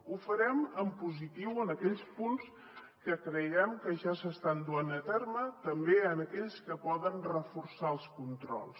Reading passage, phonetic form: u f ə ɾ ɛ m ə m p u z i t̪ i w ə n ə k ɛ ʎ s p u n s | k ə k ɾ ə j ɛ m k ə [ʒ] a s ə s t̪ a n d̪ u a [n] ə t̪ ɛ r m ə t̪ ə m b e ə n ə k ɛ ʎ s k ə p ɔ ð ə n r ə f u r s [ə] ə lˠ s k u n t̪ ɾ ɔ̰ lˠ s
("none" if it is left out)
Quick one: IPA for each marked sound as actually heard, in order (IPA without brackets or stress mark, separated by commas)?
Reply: ʒ, n, a